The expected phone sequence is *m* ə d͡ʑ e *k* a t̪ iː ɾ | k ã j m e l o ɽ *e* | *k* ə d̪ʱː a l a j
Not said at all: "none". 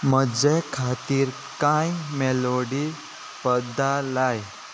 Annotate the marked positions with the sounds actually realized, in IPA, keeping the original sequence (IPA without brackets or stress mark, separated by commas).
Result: m, kʰ, i, p